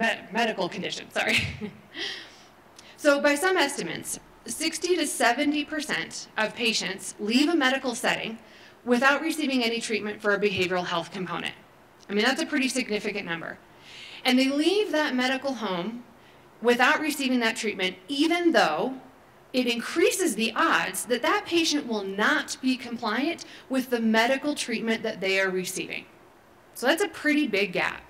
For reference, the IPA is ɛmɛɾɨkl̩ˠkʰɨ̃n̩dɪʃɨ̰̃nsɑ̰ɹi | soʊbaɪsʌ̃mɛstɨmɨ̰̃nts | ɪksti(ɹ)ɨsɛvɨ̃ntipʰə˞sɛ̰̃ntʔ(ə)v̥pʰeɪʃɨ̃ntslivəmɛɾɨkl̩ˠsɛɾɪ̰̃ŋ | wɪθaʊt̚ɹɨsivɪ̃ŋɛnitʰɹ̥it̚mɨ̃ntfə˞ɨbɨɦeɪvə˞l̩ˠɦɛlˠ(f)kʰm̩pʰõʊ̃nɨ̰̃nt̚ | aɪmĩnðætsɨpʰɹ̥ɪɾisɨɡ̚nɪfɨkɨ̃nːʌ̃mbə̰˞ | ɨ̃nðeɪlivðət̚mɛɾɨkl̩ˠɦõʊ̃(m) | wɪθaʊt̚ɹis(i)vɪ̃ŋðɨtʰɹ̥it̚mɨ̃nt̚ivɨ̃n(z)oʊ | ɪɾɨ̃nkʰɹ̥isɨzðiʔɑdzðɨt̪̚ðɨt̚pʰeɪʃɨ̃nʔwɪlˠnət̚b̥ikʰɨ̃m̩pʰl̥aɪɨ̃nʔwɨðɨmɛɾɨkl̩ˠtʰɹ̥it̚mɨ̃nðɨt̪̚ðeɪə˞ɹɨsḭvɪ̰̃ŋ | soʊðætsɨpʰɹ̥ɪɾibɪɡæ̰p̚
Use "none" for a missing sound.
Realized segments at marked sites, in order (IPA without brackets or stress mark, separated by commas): ɾ, ʌ, θ, m, i, ð